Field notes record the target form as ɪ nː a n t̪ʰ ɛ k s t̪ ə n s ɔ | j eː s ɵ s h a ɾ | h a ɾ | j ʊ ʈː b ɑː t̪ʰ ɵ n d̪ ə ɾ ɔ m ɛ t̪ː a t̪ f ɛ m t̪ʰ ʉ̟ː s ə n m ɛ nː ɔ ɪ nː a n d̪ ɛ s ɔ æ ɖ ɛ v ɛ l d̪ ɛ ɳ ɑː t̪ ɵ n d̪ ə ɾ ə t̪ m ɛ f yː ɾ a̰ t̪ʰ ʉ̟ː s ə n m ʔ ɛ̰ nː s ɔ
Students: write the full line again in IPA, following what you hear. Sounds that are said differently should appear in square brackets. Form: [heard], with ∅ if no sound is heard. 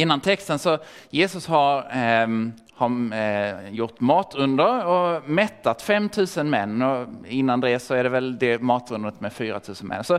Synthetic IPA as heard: ɪ nː a n t̪ʰ ɛ k s t̪ ə n s ɔ | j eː s ɵ s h a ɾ | h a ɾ | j ʊ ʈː [m] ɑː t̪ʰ ɵ n d̪ ə ɾ ɔ m ɛ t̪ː a t̪ f ɛ m t̪ʰ ʉ̟ː s ə n m ɛ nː ɔ ɪ nː a n d̪ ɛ s ɔ æ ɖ ɛ v ɛ l d̪ ɛ [m] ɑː t̪ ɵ n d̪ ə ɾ ə t̪ m ɛ f yː ɾ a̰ t̪ʰ ʉ̟ː s ə n m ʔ ɛ̰ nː s ɔ